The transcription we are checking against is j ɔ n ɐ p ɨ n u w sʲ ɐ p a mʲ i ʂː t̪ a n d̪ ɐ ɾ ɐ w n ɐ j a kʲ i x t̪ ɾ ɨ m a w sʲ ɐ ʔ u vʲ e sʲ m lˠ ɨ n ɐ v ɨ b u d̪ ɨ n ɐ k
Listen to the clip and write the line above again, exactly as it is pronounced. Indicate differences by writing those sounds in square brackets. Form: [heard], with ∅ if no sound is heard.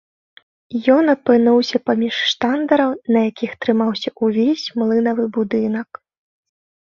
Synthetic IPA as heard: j ɔ n ɐ p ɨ n u w sʲ ɐ p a mʲ i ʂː t̪ a n d̪ ɐ ɾ ɐ w n ɐ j a kʲ i x t̪ ɾ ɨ m a w sʲ ɐ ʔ u vʲ e sʲ m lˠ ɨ n ɐ v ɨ b u d̪ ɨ n ɐ k